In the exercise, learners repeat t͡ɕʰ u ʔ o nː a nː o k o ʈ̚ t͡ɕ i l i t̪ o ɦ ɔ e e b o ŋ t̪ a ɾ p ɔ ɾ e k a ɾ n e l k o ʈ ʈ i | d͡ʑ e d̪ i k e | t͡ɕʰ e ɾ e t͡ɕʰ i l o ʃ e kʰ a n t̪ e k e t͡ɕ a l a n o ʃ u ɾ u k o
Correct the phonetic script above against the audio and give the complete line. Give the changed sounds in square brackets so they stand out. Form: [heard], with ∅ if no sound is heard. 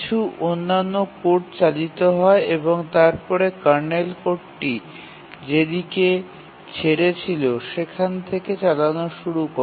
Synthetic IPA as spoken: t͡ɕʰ u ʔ o nː a nː o k o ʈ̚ t͡ɕ [a] l i t̪ o ɦ ɔ e e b o ŋ t̪ a ɾ p ɔ ɾ e k a ɾ n e l k o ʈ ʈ i | d͡ʑ e d̪ i k e | t͡ɕʰ e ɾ e t͡ɕʰ i l o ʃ e kʰ a n [t̪ʰ] e k e t͡ɕ a l a n o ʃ u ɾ u k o